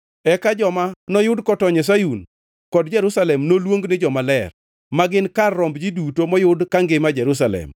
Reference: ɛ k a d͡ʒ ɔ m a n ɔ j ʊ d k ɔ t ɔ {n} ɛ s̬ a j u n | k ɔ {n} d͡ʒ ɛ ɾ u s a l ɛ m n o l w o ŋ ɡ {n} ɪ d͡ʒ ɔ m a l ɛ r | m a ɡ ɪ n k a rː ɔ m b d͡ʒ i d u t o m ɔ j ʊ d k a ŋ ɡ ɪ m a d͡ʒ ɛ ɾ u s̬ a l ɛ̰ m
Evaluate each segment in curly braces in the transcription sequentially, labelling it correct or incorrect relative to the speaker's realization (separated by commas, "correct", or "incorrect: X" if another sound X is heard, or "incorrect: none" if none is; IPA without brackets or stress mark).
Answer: incorrect: ɲ, incorrect: d, correct